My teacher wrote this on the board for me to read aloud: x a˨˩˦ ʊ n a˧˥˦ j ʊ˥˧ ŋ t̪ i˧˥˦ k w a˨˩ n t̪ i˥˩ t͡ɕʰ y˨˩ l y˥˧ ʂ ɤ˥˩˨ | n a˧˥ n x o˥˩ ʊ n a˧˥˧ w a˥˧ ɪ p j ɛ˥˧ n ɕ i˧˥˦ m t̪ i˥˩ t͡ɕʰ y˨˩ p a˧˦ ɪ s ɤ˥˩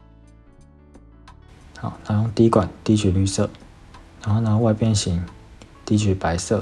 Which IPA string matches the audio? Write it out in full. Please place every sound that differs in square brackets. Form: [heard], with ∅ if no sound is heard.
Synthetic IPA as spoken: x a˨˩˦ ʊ n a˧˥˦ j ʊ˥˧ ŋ t̪ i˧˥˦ k w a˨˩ n t̪ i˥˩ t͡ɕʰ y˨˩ l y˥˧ [s] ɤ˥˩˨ | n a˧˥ n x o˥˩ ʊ n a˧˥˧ w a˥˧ ɪ p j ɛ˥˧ n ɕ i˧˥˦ [ŋ] t̪ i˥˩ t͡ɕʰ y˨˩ p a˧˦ ɪ s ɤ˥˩